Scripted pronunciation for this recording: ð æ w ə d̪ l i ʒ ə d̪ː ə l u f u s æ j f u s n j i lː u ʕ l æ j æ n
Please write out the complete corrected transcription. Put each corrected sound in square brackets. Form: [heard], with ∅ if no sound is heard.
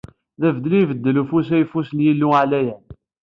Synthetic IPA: ð æ [v] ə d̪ l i [v] ə d̪ː ə l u f u s æ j f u s n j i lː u ʕ l æ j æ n

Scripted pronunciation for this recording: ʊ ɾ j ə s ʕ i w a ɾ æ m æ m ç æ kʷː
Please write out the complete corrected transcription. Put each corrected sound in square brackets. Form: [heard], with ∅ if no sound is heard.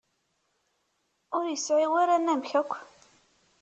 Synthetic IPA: ʊ ɾ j ə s ʕ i w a ɾ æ [n] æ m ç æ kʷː

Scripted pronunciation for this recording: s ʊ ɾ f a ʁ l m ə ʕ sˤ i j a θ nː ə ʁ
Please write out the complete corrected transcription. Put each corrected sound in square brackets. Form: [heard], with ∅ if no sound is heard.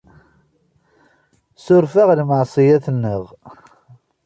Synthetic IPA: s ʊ ɾ f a ʁ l m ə ʕ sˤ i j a θ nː ə ʁ

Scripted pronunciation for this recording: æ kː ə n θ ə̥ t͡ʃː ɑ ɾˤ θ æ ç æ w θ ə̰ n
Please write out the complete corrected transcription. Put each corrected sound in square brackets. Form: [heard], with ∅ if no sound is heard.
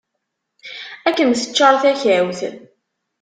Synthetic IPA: æ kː ə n θ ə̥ t͡ʃː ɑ ɾˤ θ æ ç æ w θ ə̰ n

